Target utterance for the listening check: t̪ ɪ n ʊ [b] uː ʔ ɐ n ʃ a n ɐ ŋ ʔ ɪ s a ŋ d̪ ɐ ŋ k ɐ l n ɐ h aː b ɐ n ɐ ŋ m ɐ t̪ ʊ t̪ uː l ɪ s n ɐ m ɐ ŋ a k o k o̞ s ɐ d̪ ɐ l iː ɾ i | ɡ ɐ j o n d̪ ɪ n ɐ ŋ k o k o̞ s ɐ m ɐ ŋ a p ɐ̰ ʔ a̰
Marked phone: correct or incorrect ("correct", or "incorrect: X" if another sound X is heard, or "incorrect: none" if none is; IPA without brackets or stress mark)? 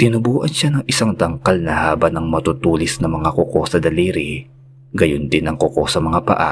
correct